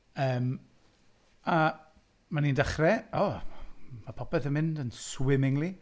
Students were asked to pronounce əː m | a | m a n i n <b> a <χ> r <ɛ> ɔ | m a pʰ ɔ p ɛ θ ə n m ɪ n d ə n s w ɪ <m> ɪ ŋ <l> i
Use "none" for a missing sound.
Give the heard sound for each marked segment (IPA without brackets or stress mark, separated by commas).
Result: d, χ, ɛ, m, l